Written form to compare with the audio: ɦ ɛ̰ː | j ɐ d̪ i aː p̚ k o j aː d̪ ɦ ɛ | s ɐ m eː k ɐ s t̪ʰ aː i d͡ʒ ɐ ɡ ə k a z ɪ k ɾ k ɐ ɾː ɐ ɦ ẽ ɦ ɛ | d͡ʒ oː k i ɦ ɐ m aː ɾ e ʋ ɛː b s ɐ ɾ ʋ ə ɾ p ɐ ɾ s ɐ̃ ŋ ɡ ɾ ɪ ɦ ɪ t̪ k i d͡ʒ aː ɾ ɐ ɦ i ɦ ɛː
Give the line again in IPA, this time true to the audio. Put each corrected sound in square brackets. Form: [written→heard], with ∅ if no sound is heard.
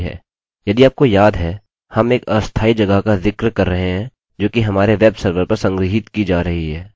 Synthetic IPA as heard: ɦ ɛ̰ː | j ɐ d̪ i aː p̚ k o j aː d̪ ɦ ɛ | [s→h] ɐ m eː k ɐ s t̪ʰ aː i d͡ʒ ɐ ɡ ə k a z ɪ k ɾ k ɐ ɾː ɐ ɦ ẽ ɦ [ɛ→ɛ̃] | d͡ʒ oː k i ɦ ɐ m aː ɾ e ʋ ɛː b s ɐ ɾ ʋ ə ɾ p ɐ ɾ s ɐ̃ ŋ ɡ ɾ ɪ ɦ ɪ t̪ k i d͡ʒ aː ɾ ɐ ɦ i ɦ ɛː